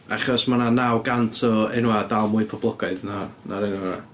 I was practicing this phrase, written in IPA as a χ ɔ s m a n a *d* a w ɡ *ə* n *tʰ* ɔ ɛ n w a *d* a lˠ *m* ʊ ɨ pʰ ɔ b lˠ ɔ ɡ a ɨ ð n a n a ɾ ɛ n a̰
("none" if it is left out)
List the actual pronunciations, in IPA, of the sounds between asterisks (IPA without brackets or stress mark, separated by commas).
n, a, tʰ, d, m